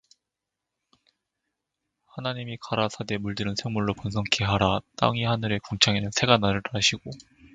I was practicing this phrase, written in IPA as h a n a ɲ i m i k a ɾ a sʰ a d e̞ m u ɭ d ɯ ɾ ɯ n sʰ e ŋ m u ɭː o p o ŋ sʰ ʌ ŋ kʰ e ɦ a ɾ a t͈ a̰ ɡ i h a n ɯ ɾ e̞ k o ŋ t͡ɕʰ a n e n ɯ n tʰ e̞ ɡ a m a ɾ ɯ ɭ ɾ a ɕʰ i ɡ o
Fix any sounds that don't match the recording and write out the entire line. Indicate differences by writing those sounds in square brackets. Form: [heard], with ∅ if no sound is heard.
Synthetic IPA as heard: h a n a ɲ i m i k a ɾ a sʰ a d e̞ m u ɭ d ɯ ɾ ɯ n sʰ e ŋ m u ɭː o p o [n] sʰ ʌ ŋ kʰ e ɦ a ɾ a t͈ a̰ [ŋ] i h a n ɯ ɾ e̞ k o ŋ t͡ɕʰ a [ŋ] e n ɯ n [sʰ] e̞ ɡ a [n] a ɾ ɯ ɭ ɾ a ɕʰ i ɡ o

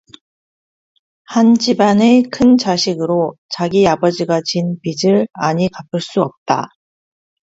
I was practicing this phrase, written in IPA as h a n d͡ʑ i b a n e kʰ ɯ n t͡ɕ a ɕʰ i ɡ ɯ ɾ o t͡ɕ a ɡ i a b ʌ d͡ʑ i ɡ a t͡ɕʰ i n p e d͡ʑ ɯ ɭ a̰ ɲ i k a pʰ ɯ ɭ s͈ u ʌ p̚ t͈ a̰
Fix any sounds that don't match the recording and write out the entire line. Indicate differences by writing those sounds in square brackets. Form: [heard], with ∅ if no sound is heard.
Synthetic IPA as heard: h a n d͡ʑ i b a n e kʰ ɯ n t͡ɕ a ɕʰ i ɡ ɯ ɾ o t͡ɕ a ɡ i a b ʌ d͡ʑ i ɡ a [t͡ɕ] i n p [i] d͡ʑ ɯ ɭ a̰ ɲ i k a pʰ ɯ ɭ s͈ u ʌ p̚ t͈ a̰

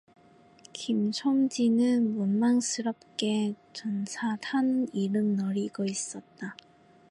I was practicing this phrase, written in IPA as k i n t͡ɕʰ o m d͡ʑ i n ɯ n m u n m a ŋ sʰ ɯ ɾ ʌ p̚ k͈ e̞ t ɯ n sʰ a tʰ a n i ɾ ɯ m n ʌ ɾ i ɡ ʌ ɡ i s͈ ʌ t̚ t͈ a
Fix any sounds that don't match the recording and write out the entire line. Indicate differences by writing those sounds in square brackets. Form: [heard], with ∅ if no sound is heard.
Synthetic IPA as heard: k i [m] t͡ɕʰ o m d͡ʑ i n ɯ n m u n m a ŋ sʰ ɯ ɾ ʌ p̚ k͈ e̞ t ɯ n sʰ a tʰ a n i ɾ ɯ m n ʌ ɾ i ɡ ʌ [∅] i s͈ ʌ t̚ t͈ a

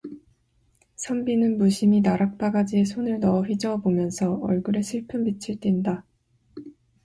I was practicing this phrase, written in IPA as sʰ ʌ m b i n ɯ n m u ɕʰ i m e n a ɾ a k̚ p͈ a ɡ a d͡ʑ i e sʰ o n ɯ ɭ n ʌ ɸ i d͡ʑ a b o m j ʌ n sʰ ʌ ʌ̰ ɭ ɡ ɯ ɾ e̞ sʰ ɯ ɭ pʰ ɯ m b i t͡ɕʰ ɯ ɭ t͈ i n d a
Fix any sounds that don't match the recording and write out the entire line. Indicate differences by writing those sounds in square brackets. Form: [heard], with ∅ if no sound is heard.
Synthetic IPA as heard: sʰ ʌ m b i n ɯ n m u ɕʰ i m [i] n a ɾ a k̚ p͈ a ɡ a d͡ʑ i e sʰ o n ɯ ɭ n ʌ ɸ i d͡ʑ [ʌ] b o m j ʌ n sʰ ʌ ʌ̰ ɭ ɡ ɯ ɾ e̞ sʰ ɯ ɭ pʰ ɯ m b i t͡ɕʰ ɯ ɭ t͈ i n d a

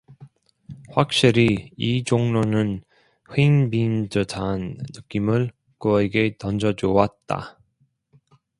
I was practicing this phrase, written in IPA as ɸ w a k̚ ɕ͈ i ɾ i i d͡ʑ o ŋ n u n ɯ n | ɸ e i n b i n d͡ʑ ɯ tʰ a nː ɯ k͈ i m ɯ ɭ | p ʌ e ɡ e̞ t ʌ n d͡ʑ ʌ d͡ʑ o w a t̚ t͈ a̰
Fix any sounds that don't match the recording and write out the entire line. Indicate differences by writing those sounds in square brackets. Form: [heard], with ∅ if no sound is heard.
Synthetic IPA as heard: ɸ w a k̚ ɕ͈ i ɾ i i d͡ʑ o ŋ n [o] n ɯ n | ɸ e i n b i n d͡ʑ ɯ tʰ a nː ɯ k͈ i m ɯ ɭ | [k] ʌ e ɡ e̞ t ʌ n d͡ʑ ʌ d͡ʑ o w a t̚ t͈ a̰

